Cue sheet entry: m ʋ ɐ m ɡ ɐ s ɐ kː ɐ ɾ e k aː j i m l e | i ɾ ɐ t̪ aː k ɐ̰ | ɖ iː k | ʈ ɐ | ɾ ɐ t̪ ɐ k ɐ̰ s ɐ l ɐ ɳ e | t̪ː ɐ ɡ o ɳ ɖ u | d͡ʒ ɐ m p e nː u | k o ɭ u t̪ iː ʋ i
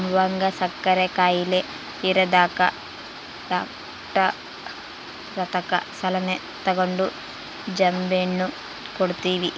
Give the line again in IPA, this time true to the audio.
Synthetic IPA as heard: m ʋ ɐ ŋ ɡ ɐ s ɐ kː ɐ ɾ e k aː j i l e | i ɾ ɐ d̪ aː k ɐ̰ | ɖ aː k | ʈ ɐ | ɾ ɐ t̪ ɐ k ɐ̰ s ɐ l ɐ n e | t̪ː ɐ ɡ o ɳ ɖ u | d͡ʒ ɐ m b e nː u | k o ɽ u t̪ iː ʋ i